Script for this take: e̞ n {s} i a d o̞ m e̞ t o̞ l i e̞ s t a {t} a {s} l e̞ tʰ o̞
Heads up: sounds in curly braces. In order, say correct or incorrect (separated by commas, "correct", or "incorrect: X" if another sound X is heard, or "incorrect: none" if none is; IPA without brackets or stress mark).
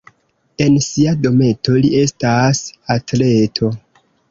correct, incorrect: s, incorrect: t